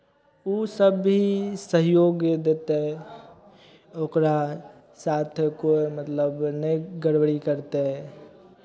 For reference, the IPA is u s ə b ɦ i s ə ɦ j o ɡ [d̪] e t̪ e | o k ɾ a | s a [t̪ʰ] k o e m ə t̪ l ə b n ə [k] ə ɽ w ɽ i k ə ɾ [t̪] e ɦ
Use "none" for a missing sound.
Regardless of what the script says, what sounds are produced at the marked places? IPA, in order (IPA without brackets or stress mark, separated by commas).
d̪, t̪ʰ, ɡ, t̪